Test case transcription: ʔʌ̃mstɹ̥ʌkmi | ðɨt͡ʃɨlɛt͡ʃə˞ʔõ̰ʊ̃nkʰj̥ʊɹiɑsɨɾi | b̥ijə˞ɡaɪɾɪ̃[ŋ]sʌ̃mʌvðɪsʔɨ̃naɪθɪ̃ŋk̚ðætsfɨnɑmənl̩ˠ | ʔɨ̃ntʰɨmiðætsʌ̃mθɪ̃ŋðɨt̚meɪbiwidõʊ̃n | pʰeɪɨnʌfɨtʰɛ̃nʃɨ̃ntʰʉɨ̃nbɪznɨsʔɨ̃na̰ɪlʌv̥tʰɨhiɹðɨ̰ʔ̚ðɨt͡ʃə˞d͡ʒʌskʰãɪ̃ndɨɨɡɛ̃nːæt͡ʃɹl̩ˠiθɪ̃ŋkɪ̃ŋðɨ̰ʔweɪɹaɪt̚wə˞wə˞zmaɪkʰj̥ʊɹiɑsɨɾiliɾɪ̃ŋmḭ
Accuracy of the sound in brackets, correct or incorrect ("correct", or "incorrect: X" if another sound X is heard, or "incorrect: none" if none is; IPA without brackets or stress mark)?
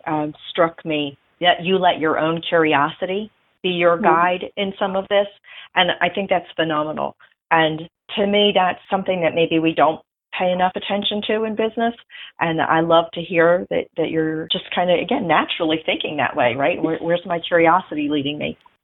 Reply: incorrect: n